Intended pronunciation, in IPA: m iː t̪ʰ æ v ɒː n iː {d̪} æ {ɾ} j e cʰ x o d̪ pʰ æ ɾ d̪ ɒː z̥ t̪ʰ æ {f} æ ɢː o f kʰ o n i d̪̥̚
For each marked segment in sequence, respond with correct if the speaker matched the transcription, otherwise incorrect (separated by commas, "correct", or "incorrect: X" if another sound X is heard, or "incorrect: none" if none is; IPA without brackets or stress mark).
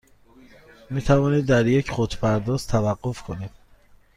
incorrect: d̪ː, correct, incorrect: v